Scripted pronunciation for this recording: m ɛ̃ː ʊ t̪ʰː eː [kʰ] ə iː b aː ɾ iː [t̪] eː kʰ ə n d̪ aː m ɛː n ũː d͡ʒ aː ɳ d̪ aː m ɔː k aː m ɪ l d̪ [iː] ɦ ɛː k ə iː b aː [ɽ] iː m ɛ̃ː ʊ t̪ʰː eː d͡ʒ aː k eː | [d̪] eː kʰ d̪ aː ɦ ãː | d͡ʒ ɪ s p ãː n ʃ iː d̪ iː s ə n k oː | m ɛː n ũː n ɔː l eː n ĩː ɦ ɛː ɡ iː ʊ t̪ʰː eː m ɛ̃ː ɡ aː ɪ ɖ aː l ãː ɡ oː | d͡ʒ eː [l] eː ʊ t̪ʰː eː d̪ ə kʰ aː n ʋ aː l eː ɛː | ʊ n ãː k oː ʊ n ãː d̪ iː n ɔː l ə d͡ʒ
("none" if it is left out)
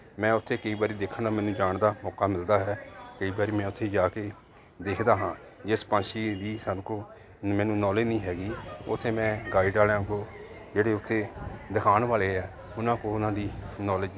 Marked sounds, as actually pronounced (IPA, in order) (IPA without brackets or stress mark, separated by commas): k, d̪, aː, ɾ, d̪, ɽ